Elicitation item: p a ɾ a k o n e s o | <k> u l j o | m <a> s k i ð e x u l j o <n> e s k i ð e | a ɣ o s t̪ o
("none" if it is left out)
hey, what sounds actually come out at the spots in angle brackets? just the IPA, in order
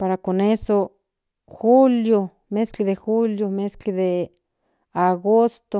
x, e, m

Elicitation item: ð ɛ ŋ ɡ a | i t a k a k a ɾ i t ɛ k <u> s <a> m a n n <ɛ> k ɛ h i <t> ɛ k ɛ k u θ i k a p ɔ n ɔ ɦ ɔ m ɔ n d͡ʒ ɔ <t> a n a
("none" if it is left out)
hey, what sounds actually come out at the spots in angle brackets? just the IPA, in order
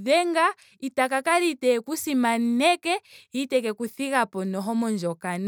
u, i, ɛ, t, k

